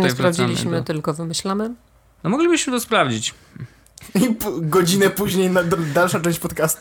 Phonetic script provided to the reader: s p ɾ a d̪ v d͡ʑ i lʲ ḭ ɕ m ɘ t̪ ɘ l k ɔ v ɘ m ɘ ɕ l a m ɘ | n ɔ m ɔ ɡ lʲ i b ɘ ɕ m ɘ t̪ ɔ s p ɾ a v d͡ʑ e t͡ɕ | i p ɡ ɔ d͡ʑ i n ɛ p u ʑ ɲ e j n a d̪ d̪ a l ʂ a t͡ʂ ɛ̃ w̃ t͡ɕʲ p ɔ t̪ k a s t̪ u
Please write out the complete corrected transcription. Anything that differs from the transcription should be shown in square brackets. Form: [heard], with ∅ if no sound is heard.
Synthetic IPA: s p ɾ a [∅] v d͡ʑ i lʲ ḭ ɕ m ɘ t̪ ɘ l k ɔ v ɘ m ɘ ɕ l a m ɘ | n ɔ m ɔ ɡ lʲ i b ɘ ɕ m ɘ t̪ ɔ s p ɾ a v d͡ʑ [i] t͡ɕ | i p ɡ ɔ d͡ʑ i n ɛ p u ʑ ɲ e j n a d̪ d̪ a l ʂ a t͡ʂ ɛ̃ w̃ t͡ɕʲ p ɔ t̪ k a s t̪ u